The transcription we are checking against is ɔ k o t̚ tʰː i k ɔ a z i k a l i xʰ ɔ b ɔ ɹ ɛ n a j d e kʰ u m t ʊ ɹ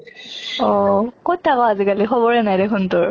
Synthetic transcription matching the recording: ɔ k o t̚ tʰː a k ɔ a z i k a l i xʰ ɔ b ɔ ɹ ɛ n a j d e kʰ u n t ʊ ɹ